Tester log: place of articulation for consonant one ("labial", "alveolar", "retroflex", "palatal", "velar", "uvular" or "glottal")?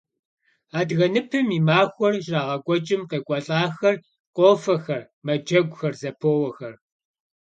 alveolar